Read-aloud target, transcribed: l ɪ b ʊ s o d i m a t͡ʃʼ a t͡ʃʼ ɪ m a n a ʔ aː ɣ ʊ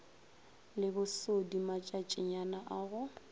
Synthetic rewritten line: l ɪ b ʊ s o d i m a t͡ʃʼ a t͡ʃʼ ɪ ɲ a n a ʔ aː ɣ ʊ